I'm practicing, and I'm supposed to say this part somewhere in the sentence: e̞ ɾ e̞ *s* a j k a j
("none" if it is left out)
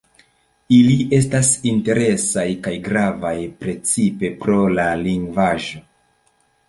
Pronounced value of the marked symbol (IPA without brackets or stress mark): s